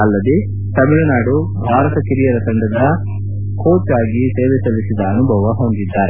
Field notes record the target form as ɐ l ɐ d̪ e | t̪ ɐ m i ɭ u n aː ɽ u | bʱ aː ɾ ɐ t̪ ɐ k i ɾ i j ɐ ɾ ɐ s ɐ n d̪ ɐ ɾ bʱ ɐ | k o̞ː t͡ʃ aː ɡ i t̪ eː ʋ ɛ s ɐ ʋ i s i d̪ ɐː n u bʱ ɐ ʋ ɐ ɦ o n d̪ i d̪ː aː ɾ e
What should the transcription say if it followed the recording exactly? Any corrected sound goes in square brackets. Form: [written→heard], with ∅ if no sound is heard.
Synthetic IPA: ɐ [l→lː] ɐ d̪ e | t̪ ɐ m i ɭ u n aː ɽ u | bʱ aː ɾ ɐ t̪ ɐ k i ɾ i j ɐ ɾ ɐ s ɐ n d̪ ɐ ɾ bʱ ɐ | k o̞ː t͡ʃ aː ɡ i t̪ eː ʋ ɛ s ɐ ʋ i s i d̪ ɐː n u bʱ ɐ ʋ ɐ ɦ o n d̪ i d̪ː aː ɾ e